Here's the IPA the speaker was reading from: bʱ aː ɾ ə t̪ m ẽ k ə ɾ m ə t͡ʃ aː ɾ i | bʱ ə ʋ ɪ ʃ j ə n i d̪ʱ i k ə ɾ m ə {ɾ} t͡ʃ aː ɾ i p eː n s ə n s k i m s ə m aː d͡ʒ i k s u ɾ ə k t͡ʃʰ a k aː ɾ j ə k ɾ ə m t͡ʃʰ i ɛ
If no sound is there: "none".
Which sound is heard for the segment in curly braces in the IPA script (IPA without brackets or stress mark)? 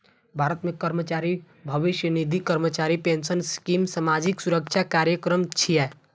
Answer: none